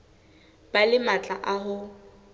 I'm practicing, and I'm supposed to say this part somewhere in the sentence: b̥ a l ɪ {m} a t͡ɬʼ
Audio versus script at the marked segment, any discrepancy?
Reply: no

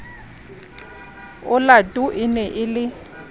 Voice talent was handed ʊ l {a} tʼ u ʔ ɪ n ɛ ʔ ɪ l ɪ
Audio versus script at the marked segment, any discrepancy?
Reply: no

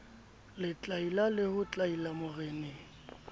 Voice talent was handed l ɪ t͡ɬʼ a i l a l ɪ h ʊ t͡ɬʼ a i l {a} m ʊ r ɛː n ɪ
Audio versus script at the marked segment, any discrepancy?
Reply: no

